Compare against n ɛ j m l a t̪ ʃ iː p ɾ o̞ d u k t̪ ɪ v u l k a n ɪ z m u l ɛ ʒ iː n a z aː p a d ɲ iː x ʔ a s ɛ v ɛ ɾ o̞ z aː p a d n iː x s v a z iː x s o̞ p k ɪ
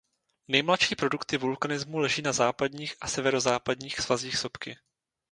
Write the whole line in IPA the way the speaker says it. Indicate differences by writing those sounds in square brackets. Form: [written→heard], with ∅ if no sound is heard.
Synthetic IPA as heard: n ɛ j m l a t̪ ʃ iː p ɾ o̞ d u k t̪ ɪ v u l k a n ɪ z m u l ɛ ʒ iː n a z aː p a d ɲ iː x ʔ a s ɛ v ɛ ɾ o̞ z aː p a d [n→ɲ] iː x s v a z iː x s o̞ p k ɪ